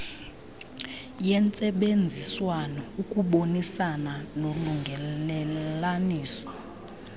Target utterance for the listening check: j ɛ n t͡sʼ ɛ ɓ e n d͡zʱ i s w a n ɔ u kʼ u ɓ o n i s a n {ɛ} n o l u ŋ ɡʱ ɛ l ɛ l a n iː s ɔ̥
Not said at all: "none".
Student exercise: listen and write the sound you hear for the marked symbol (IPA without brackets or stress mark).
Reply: a